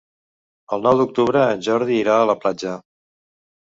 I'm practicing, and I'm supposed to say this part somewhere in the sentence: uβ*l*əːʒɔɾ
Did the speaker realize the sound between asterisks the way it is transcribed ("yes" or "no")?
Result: no